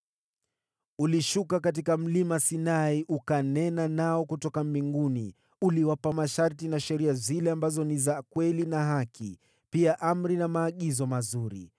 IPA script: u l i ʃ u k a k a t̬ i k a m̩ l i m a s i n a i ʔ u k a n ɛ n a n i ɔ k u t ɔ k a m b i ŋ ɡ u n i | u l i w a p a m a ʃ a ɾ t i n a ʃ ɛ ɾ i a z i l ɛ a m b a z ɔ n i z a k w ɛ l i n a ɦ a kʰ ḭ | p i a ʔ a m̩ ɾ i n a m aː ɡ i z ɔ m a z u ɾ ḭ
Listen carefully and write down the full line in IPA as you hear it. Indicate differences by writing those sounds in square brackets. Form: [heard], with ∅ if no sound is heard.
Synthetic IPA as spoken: u l i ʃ u k a k a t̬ i k a m̩ l i m a s i n a i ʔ u k a n ɛ n a n [a] ɔ k u t ɔ k a m b i ŋ ɡ u n i | u l i w a p a m a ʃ a ɾ t i n a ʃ ɛ ɾ i a z i l ɛ a m b a z ɔ n i z a k w ɛ l i n a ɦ a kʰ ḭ | p i a ʔ a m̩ ɾ i n a m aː [ɠ] i z ɔ m a z u ɾ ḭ